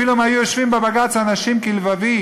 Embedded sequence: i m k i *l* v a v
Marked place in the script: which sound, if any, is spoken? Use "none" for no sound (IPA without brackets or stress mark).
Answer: l